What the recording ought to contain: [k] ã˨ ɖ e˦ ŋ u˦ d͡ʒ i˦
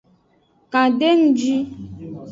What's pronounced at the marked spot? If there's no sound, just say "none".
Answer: k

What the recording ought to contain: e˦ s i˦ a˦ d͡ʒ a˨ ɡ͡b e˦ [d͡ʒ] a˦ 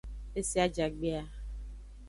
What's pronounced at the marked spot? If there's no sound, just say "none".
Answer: none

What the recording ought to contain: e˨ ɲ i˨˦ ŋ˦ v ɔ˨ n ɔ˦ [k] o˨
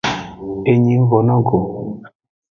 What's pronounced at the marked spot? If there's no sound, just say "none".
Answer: ɡ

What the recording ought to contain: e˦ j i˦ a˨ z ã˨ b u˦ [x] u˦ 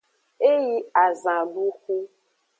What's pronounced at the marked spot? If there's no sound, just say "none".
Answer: x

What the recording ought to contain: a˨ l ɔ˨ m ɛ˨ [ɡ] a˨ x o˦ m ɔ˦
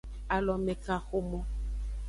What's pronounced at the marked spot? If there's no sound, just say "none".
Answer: k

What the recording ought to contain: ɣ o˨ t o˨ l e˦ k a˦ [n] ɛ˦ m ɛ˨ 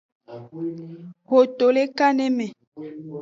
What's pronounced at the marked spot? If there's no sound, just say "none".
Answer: n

